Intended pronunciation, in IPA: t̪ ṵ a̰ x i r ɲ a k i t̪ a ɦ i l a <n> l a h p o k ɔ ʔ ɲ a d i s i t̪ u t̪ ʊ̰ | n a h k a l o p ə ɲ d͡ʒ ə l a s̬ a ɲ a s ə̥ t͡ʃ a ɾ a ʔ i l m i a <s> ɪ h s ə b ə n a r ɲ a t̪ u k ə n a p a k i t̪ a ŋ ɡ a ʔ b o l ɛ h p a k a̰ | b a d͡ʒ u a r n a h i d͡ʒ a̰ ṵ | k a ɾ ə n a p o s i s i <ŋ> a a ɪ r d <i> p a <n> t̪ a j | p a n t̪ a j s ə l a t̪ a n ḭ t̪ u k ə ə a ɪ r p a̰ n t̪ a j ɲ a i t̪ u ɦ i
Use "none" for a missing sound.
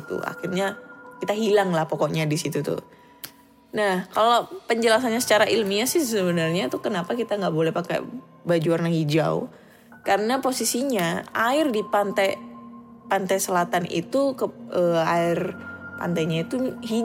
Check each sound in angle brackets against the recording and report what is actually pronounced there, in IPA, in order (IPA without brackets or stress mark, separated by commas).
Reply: ŋ, s, ɲ, i, n